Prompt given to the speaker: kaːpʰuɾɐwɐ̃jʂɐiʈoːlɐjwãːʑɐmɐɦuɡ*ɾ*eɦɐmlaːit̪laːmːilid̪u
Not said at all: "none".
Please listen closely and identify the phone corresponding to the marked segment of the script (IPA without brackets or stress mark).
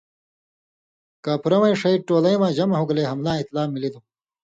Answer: l